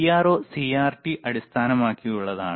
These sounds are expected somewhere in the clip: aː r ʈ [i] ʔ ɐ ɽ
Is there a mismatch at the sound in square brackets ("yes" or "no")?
no